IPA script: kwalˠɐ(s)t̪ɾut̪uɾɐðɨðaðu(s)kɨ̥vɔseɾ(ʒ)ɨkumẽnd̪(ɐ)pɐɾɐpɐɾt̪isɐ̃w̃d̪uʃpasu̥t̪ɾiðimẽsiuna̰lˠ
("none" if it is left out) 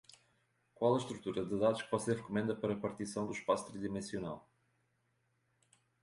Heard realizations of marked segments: ʃ, ʃ, ʁ, ɐ

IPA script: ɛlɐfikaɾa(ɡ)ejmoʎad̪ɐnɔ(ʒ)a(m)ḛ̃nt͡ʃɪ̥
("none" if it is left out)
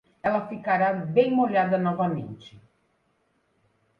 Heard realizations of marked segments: b, v, m

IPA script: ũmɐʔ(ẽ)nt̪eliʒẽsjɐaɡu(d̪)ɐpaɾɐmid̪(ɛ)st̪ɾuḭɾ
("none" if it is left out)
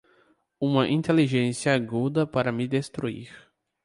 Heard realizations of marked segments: ĩ, d̪, e

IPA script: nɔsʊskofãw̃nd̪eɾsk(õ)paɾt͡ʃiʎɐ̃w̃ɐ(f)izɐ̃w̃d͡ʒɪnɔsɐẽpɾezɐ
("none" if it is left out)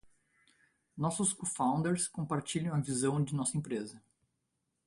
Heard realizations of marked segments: õ, v

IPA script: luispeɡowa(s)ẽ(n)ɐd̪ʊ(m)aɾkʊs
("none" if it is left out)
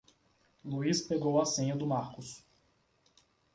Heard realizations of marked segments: s, ɲ, m

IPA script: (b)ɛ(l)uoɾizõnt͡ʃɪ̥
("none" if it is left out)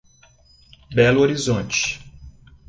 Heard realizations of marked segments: b, l

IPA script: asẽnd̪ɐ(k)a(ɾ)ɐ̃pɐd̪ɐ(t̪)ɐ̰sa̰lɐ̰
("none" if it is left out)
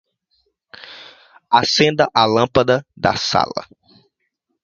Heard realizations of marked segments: ʔ, l, d̪

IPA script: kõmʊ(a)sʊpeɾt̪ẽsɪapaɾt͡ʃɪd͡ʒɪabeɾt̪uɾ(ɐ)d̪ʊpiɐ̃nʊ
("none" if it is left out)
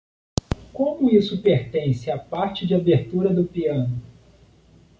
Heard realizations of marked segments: i, ɐ

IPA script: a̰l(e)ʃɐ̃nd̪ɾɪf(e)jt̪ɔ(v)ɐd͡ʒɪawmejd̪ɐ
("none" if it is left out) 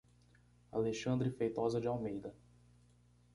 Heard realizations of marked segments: e, e, z

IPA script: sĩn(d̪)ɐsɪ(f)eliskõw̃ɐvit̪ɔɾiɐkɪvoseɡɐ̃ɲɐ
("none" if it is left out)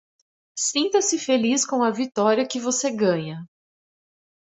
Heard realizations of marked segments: t̪, f

